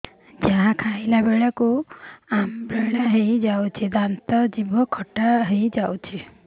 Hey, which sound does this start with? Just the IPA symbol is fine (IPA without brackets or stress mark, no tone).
d͡ʒ